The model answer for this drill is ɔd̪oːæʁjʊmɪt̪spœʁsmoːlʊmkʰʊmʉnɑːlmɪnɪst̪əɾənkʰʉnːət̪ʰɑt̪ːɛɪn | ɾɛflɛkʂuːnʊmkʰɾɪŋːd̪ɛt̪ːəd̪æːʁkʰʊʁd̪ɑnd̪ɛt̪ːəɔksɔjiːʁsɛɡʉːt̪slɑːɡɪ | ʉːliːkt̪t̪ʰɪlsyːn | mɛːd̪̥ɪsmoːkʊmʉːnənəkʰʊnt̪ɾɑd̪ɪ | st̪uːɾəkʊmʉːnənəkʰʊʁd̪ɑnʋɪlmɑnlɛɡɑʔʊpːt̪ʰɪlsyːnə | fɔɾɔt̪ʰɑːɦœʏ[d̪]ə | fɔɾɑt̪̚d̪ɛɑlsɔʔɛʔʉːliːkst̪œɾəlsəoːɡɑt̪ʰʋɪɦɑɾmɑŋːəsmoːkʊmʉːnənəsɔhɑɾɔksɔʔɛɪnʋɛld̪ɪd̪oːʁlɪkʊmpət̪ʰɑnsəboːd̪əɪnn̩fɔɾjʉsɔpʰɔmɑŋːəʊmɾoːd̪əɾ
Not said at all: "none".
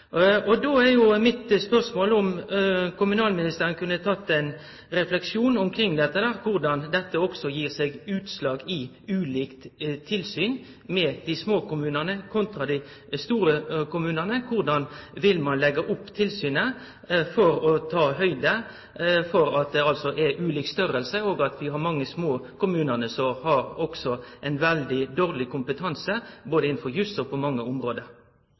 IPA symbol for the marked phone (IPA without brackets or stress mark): d̪